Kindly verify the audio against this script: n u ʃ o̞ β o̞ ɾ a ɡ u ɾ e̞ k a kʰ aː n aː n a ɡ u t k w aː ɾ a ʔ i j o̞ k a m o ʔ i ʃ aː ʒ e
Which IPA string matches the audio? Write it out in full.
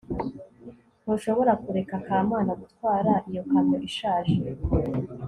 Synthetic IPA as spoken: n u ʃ o̞ β o̞ ɾ a k u ɾ e̞ k a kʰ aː m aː n a ɡ u t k w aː ɾ a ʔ i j o̞ k a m o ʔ i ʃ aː ʒ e